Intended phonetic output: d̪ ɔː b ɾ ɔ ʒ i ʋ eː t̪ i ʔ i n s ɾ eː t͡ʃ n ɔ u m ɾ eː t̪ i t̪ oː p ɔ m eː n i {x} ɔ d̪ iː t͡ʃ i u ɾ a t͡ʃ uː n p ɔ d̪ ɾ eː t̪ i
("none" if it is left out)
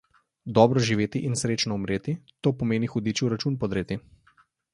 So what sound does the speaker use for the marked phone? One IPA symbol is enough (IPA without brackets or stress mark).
x